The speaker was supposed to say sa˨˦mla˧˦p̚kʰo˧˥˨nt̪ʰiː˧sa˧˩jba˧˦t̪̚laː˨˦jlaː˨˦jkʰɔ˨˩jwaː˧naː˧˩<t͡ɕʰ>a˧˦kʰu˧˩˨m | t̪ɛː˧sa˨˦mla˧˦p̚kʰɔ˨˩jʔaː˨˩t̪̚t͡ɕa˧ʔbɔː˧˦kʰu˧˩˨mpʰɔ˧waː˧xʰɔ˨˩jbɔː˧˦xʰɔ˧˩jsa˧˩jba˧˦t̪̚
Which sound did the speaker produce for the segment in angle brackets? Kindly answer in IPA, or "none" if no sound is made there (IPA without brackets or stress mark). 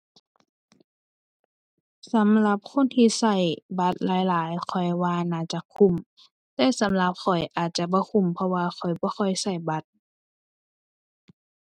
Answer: t͡ɕ